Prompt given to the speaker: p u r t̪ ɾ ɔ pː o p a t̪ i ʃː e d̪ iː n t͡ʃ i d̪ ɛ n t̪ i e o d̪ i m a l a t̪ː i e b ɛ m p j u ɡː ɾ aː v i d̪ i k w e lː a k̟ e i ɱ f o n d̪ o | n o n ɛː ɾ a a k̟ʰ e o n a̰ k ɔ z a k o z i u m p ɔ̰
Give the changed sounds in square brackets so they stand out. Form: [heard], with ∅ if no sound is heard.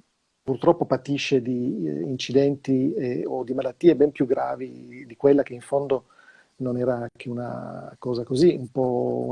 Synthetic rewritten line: p u r t̪ ɾ ɔ pː o p a t̪ i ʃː e d̪ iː n t͡ʃ i d̪ ɛ n t̪ i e o d̪ i m a l a t̪ː i e b ɛ m p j u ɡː ɾ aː v i d̪ i k w e lː a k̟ e i ɱ f o n d̪ o | n o n ɛː ɾ a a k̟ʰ e [u] n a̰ k [ɔː] z a k o z i u m p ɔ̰